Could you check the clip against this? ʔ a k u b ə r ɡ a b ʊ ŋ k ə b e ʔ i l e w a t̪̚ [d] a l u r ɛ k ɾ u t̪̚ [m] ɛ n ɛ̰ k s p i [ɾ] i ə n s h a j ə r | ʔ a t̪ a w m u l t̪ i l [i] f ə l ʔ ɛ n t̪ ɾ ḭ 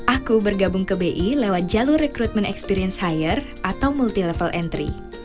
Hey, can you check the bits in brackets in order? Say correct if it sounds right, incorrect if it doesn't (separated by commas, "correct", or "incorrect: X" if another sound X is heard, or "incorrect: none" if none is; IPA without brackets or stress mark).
incorrect: d͡ʒ, correct, correct, incorrect: ɛ